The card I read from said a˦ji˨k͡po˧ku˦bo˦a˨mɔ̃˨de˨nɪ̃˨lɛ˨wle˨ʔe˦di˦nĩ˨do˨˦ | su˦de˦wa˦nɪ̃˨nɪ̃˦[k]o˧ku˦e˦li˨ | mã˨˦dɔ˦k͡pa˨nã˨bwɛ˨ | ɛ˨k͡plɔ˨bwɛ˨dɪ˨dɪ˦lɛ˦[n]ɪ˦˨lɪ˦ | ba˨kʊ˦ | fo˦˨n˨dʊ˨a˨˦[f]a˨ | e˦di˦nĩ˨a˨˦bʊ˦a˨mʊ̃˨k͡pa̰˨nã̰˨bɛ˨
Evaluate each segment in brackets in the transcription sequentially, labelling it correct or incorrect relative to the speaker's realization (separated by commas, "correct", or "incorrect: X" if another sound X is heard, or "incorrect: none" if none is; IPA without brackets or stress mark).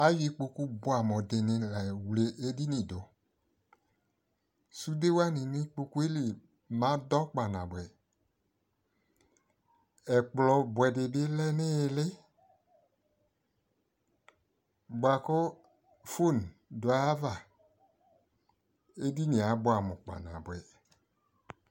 incorrect: k͡p, correct, incorrect: v